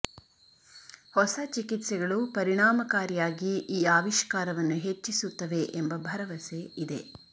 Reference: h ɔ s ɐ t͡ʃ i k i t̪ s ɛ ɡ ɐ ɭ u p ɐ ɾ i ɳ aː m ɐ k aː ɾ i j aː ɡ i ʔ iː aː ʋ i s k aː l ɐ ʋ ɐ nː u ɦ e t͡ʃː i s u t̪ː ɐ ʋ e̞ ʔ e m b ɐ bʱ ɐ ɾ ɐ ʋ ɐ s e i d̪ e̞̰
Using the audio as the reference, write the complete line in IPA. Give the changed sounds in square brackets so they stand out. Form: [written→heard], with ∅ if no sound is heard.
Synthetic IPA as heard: h ɔ s ɐ t͡ʃ i k i t̪ s ɛ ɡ ɐ ɭ u p ɐ ɾ i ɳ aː m ɐ k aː ɾ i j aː ɡ i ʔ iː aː ʋ i [s→ʃ] k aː [l→ɾ] ɐ ʋ ɐ nː u ɦ e t͡ʃː i s u t̪ː ɐ ʋ e̞ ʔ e m b ɐ bʱ ɐ ɾ ɐ ʋ ɐ s e i d̪ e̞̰